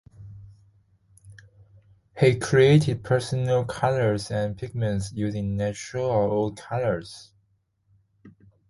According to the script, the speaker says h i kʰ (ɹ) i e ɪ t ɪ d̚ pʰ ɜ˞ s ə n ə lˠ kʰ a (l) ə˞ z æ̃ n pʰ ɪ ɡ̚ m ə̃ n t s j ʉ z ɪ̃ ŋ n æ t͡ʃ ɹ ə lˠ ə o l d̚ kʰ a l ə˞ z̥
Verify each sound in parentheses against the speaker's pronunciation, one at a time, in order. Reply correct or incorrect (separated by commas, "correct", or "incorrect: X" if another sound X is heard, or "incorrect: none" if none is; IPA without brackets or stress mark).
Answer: correct, correct